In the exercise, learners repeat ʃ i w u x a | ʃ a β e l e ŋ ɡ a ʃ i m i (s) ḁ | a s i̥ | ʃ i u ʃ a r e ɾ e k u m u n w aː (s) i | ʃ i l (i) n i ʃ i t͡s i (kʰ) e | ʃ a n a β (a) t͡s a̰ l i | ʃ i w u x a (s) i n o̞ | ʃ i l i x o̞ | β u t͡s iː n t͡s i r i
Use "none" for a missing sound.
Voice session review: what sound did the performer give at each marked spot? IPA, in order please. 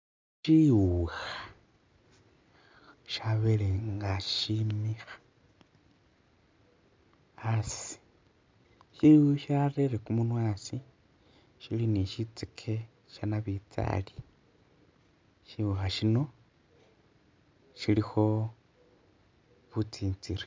x, s, i, kʰ, i, ʃ

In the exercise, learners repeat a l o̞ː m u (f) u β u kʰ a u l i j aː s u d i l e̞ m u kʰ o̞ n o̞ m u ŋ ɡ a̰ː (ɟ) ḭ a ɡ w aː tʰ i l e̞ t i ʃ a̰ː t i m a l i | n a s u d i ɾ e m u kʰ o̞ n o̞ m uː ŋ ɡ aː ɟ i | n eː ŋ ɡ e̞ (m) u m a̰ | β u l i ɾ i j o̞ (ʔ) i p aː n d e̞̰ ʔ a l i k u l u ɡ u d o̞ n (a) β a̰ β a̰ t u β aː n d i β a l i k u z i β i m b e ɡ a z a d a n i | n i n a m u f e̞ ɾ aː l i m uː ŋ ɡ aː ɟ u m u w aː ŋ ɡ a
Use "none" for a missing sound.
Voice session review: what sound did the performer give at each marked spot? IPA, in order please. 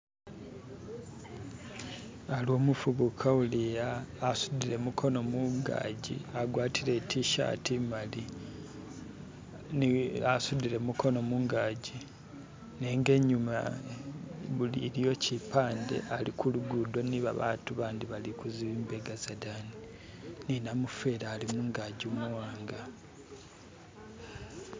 f, ɟ, ɲ, c, i

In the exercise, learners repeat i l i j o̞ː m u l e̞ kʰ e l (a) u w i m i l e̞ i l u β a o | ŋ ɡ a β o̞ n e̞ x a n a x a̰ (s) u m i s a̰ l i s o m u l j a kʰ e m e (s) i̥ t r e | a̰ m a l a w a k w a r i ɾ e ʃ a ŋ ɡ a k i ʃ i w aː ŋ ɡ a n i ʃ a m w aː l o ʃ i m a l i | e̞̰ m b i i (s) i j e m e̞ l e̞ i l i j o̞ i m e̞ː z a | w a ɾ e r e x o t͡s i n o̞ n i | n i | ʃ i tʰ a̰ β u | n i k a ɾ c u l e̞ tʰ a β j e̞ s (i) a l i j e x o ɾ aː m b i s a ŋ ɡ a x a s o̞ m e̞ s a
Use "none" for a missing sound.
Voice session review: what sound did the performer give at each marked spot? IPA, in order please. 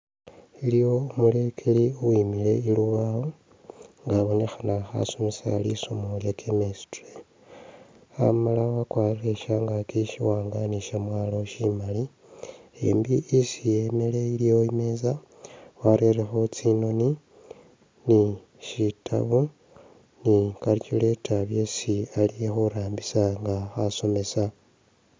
i, s, s, s, i

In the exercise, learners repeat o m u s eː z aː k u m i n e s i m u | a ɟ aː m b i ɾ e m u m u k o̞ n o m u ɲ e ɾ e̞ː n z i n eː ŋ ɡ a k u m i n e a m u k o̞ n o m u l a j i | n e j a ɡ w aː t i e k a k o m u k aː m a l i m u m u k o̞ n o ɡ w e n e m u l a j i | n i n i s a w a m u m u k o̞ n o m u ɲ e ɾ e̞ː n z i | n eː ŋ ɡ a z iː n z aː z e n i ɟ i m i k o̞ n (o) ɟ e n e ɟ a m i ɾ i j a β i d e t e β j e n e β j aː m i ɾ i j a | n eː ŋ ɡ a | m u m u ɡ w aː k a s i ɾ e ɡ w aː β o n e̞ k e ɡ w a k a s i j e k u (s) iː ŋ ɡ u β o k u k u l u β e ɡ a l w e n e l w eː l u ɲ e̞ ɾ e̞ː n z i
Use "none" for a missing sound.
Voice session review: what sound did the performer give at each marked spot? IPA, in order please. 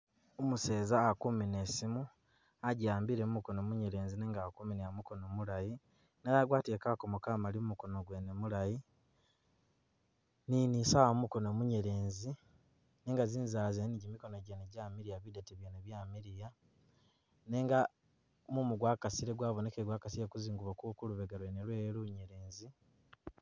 o, z

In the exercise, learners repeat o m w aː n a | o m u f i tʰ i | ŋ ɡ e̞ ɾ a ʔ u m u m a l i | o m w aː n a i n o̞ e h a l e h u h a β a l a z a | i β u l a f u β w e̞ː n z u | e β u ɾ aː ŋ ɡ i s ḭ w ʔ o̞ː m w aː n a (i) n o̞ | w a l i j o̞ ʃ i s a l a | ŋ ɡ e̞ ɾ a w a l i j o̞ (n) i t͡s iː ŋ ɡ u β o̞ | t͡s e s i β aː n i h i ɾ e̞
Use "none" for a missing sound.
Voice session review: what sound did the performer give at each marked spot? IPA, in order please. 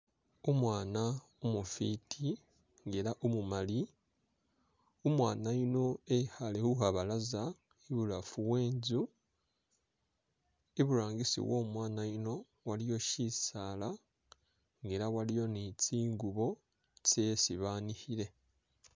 i, n

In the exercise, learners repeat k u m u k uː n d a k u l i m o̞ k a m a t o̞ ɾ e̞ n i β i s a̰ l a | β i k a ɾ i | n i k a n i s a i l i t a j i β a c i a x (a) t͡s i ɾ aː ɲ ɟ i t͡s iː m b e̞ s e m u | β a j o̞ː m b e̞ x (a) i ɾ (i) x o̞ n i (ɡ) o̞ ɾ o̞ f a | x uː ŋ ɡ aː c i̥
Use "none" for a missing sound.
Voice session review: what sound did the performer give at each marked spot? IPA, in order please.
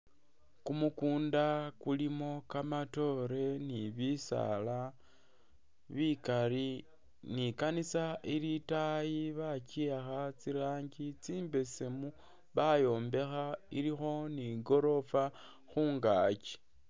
a, a, i, ɡ

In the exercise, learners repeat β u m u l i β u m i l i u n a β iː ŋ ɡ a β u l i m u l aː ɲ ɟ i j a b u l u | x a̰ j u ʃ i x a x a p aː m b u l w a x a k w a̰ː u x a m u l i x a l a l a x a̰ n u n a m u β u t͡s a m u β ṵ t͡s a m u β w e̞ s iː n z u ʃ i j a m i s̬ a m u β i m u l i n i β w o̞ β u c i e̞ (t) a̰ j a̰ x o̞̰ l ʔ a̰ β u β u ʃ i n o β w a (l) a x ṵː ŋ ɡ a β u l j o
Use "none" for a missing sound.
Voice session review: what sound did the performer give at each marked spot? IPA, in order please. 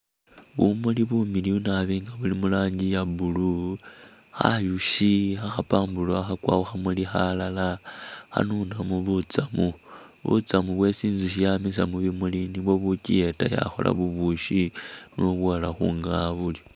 t, l

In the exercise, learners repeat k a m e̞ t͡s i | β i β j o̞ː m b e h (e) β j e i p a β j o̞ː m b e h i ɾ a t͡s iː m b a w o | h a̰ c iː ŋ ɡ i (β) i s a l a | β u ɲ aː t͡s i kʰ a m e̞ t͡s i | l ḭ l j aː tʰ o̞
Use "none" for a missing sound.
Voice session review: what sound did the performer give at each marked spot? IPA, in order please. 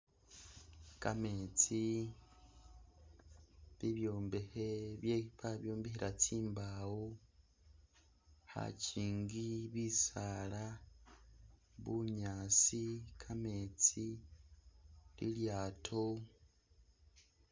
e, β

